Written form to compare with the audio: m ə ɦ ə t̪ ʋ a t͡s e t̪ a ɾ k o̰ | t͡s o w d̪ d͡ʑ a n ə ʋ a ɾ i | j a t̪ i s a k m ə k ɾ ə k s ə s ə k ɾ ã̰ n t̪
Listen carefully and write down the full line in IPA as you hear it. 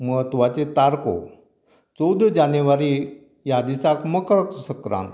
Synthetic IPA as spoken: m ə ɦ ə t̪ ʋ a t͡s e t̪ a ɾ k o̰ | t͡s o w d̪ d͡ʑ a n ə ʋ a ɾ i | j a d̪ i s a k m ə k ɾ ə k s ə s ə k ɾ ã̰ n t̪